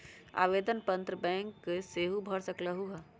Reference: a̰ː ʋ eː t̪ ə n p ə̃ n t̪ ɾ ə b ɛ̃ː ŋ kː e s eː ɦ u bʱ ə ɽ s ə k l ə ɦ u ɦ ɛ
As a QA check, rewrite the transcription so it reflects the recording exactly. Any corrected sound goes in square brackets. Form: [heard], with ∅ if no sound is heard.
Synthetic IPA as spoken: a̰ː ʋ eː [d̪] ə n p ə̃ n t̪ ɾ ə b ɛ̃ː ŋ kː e s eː ɦ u bʱ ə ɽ s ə k l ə ɦ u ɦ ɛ